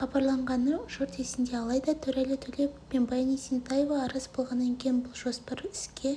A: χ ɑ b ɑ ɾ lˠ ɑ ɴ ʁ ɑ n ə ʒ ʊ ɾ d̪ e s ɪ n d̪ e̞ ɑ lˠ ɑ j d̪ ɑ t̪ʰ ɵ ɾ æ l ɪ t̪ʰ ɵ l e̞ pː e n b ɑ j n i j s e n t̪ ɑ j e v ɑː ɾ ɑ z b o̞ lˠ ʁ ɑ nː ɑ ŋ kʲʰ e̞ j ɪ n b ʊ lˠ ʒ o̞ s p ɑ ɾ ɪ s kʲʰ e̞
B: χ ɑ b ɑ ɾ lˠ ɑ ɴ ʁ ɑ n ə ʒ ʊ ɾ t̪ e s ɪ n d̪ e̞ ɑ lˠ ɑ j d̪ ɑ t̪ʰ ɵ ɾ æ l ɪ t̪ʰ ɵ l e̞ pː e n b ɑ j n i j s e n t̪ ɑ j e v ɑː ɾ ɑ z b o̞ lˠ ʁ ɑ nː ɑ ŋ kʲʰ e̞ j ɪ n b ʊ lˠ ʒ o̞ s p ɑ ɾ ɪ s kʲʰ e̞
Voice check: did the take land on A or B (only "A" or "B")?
B